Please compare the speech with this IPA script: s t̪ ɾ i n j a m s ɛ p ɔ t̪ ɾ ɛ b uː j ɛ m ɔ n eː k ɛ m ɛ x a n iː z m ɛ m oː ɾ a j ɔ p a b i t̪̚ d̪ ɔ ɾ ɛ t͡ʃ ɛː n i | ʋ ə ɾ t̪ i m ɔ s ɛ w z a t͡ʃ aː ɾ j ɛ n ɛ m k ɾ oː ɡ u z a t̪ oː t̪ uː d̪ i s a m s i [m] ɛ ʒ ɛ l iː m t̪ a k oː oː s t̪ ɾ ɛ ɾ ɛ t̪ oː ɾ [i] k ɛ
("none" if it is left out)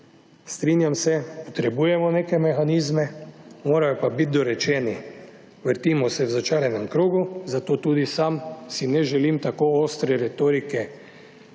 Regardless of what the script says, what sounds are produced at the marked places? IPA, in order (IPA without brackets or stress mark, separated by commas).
n, i